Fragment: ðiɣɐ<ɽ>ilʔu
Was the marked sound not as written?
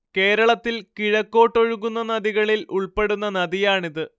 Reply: yes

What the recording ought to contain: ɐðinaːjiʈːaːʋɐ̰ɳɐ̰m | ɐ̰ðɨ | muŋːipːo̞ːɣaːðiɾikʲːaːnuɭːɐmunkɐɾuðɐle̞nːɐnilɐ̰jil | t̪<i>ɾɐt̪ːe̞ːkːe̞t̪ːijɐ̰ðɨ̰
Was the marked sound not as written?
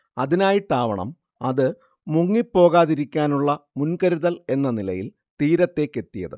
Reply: yes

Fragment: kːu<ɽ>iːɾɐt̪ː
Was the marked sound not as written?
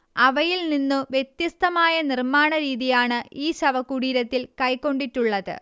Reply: no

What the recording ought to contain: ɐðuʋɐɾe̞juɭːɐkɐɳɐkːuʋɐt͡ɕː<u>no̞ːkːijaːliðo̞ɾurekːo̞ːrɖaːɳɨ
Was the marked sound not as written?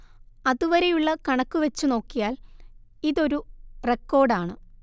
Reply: no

